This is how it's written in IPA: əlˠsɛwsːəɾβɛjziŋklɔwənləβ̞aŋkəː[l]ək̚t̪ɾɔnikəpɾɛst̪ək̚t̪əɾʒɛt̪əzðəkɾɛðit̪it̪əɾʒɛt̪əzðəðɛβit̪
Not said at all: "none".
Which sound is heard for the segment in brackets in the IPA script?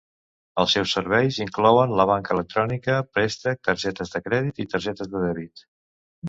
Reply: l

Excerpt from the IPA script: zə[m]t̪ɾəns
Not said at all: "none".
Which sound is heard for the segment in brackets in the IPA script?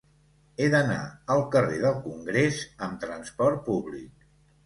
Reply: m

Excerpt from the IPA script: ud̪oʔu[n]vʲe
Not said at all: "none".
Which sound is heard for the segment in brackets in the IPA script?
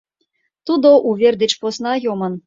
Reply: none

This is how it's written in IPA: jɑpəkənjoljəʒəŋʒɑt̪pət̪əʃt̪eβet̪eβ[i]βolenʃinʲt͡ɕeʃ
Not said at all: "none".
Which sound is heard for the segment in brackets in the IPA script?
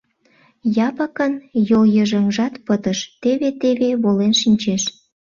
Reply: e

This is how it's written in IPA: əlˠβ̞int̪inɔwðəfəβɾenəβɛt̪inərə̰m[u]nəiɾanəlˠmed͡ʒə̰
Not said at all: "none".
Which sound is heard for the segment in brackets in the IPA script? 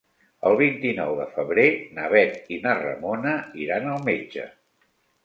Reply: o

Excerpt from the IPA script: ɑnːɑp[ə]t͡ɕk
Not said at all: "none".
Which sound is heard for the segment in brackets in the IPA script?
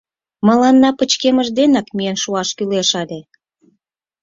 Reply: ə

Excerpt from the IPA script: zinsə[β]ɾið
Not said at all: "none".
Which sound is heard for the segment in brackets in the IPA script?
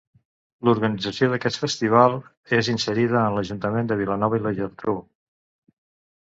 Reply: none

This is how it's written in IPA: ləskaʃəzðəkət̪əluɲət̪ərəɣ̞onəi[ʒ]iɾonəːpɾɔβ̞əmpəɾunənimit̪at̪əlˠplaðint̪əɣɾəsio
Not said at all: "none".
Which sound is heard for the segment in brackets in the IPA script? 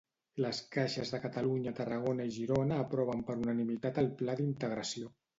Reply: ʒ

